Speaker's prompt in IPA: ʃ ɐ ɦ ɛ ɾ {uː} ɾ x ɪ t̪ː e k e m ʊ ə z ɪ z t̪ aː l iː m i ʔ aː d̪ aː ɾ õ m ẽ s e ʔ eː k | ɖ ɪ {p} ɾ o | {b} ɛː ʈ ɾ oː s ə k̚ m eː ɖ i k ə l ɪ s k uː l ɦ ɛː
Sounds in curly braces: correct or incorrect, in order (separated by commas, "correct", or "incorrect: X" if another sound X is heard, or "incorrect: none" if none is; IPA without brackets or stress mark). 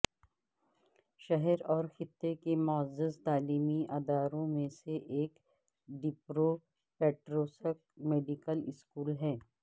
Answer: incorrect: ɔː, correct, incorrect: p